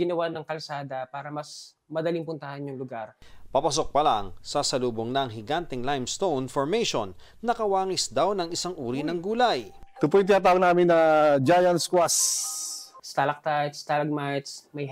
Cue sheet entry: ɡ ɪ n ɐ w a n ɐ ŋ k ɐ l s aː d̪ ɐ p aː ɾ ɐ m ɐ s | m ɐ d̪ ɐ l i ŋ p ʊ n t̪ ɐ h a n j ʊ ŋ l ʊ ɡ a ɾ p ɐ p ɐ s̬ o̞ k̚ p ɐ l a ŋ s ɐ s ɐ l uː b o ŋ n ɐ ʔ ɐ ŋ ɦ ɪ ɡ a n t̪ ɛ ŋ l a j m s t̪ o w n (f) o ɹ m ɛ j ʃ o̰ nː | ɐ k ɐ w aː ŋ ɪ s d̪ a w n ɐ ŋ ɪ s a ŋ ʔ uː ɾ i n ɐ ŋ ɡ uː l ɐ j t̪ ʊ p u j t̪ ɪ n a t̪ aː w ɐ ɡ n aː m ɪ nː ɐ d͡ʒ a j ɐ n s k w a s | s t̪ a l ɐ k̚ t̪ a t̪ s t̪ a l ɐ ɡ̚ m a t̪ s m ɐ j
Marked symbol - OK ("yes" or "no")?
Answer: yes